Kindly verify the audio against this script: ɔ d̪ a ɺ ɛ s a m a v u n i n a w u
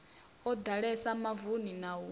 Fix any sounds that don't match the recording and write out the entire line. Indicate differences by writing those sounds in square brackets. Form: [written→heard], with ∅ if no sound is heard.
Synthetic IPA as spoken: ɔ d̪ a ɺ ɛ s a m a v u n i n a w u